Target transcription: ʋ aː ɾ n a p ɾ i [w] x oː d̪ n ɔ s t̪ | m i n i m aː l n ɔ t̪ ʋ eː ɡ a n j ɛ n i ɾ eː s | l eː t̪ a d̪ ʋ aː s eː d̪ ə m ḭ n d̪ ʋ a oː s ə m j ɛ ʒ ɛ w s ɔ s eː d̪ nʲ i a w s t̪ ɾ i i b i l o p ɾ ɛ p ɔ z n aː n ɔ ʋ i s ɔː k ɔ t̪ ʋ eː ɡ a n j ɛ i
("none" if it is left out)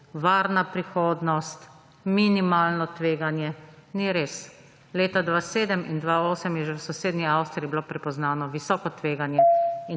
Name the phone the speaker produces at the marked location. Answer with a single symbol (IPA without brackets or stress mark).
none